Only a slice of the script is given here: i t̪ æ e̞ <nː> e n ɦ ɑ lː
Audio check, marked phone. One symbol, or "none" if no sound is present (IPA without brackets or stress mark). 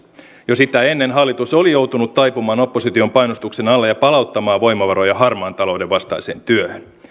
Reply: nː